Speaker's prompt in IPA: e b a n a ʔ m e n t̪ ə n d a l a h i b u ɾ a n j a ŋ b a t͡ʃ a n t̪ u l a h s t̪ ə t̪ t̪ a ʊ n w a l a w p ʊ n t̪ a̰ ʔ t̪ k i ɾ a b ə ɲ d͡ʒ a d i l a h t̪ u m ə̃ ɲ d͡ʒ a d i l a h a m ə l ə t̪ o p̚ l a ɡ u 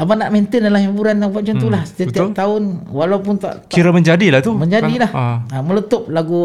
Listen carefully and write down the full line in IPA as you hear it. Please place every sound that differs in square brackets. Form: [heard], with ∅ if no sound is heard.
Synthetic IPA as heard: [a] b a n a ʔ m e n t̪ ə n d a l a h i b u ɾ a n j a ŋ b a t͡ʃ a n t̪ u l a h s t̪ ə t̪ t̪ a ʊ n w a l a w p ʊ n t̪ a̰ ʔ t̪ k i ɾ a [m] ə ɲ d͡ʒ a d i l a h t̪ u m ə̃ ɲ d͡ʒ a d i l a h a m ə l ə t̪ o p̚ l a ɡ u